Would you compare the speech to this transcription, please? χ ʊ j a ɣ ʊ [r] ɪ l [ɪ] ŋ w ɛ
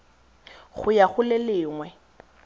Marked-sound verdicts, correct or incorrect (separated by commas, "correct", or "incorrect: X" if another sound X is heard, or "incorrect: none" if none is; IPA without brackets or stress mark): incorrect: l, incorrect: ɪː